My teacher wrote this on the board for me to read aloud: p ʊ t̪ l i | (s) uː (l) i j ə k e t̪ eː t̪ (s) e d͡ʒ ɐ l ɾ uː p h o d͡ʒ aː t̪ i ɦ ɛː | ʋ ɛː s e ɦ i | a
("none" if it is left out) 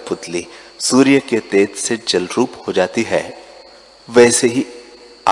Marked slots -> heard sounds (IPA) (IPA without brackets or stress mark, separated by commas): s, ɾ, s